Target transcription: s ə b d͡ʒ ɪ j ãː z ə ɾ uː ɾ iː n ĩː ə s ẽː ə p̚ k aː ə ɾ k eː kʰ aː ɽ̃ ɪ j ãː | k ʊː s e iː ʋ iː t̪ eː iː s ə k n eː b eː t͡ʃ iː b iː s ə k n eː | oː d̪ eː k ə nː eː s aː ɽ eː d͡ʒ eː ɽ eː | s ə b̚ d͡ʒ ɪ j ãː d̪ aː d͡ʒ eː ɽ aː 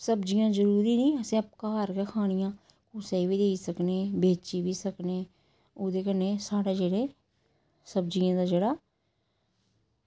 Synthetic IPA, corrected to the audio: s ə b d͡ʒ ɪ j ãː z ə ɾ uː ɾ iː n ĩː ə s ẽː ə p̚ k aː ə ɾ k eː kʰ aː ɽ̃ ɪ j ãː | k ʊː s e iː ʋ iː d̪ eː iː s ə k n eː b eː t͡ʃ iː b iː s ə k n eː | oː d̪ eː k ə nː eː s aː ɽ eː d͡ʒ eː ɽ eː | s ə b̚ d͡ʒ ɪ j ãː d̪ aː d͡ʒ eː ɽ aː

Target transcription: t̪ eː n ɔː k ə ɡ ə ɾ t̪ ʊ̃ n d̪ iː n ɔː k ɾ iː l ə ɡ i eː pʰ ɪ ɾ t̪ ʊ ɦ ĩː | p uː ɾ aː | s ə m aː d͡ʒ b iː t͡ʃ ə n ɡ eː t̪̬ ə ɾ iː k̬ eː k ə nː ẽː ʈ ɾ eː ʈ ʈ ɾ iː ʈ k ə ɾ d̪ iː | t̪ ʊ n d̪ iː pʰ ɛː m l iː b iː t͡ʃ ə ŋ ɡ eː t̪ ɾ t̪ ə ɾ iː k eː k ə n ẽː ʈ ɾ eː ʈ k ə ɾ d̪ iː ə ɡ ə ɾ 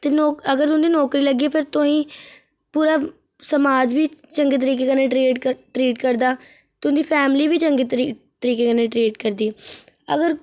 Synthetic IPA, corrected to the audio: t̪ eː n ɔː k ə ɡ ə ɾ t̪ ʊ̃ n d̪ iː n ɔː k ɾ iː l ə ɡ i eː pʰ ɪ ɾ t̪ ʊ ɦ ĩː | p uː ɾ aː | s ə m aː d͡ʒ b iː t͡ʃ ə ŋ ɡ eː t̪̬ ə ɾ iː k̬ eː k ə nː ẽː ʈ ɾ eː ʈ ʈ ɾ iː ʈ k ə ɾ d̪ aː | t̪ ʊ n d̪ iː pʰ ɛː m l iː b iː t͡ʃ ə ŋ ɡ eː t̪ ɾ t̪ ə ɾ iː k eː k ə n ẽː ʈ ɾ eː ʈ k ə ɾ d̪ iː ə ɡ ə ɾ

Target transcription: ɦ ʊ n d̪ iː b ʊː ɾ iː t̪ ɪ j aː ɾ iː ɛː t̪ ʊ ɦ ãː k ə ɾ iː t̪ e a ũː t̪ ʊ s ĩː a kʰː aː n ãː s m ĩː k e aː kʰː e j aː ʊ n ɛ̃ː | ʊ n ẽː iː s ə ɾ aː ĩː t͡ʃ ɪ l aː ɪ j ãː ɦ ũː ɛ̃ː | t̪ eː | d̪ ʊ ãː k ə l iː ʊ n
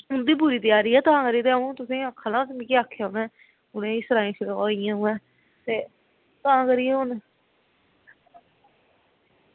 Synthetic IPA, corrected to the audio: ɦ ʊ n d̪ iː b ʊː ɾ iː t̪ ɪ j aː ɾ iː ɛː t̪ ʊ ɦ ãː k ə ɾ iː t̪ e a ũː t̪ ʊ s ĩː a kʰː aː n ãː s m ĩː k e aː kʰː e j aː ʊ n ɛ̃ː | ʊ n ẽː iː s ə ɾ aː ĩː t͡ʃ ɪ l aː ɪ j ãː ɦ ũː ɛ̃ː | t̪ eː | t̪ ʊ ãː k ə ɾ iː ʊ n

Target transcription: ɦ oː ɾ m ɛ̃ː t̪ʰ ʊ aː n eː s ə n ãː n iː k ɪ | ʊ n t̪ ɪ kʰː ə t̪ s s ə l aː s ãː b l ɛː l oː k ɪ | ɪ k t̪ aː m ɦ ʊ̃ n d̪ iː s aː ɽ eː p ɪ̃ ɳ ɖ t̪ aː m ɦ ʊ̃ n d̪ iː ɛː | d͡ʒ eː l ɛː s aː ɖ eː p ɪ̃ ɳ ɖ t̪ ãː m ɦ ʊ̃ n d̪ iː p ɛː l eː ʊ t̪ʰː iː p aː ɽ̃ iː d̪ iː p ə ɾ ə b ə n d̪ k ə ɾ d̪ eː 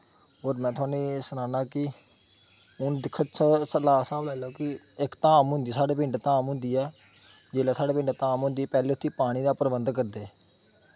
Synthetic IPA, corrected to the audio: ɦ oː ɾ m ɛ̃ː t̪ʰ ʊ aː n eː s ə n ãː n aː k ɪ | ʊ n d̪ ɪ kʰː ə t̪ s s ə l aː s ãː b l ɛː l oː k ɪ | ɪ k t̪ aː m ɦ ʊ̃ n d̪ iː s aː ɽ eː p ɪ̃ ɳ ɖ t̪ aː m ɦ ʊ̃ n d̪ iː ɛː | d͡ʒ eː l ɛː s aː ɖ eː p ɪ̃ ɳ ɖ t̪ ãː m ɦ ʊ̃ n d̪ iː p ɛː l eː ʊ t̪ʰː iː p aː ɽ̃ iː d̪ aː p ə ɾ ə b ə n d̪ k ə ɾ d̪ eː

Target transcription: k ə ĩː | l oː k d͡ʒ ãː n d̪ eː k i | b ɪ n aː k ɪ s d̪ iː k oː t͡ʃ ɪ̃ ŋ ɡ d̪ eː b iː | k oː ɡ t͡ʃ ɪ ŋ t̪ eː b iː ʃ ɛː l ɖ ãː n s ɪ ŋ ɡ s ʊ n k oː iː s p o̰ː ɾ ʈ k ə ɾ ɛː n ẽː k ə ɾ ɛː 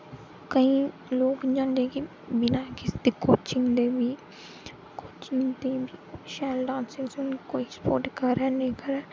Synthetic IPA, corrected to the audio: k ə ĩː | l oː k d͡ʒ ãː n d̪ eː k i | b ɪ n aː k ɪ s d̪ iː k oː t͡ʃ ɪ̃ ŋ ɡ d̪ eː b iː | k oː t͡ʃ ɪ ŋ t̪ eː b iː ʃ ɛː l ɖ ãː n s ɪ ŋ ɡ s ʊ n k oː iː s p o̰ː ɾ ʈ k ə ɾ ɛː n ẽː k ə ɾ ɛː

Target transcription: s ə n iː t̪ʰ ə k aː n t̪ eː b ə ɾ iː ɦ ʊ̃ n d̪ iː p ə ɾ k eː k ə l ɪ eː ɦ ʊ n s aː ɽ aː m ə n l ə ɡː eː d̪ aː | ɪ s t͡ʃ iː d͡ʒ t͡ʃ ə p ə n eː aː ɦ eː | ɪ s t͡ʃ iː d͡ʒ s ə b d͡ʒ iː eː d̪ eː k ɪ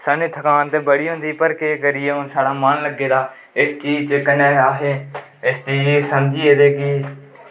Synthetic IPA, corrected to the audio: s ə n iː t̪ʰ ə k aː n t̪ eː b ə ɽ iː ɦ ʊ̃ n d̪ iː p ə ɾ k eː k ə ɾ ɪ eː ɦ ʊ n s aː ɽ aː m ə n l ə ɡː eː d̪ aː | ɪ s t͡ʃ iː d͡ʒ t͡ʃ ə k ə n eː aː ɦ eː | ɪ s t͡ʃ iː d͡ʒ s ə m d͡ʒ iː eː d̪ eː k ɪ

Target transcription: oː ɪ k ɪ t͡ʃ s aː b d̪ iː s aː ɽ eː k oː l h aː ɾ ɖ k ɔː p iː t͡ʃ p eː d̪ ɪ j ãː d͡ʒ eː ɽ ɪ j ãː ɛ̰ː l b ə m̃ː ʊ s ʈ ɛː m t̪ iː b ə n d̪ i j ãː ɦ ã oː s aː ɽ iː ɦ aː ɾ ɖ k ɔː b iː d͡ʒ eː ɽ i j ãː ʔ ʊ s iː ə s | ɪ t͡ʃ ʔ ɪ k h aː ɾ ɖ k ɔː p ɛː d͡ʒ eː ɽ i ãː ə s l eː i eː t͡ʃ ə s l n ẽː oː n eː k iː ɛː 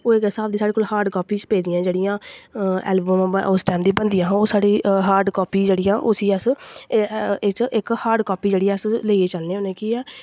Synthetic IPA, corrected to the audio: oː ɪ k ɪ s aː b d̪ iː s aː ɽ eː k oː l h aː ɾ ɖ k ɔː p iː t͡ʃ p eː d̪ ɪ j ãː d͡ʒ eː ɽ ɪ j ãː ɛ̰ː l b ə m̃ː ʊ s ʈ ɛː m d̪ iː b ə n d̪ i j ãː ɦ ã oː s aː ɽ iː ɦ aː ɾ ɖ k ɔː p iː d͡ʒ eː ɽ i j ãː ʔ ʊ s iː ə s | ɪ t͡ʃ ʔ ɪ k h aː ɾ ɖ k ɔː p iː d͡ʒ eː ɽ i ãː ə s l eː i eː t͡ʃ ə l n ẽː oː n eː k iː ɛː

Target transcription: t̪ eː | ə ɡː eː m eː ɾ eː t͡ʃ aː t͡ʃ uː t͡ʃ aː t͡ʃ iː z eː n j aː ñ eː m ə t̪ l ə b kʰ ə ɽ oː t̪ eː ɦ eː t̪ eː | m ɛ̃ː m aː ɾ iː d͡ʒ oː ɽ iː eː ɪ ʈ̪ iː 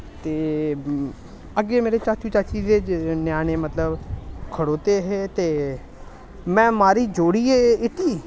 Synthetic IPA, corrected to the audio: t̪ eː | ə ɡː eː m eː ɾ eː t͡ʃ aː t͡ʃ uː t͡ʃ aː t͡ʃ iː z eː n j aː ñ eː m ə t̪ l ə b kʰ ə ɽ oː t̪ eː ɦ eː t̪ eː | m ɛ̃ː m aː ɾ iː d͡ʒ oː ɽ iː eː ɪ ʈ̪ iː

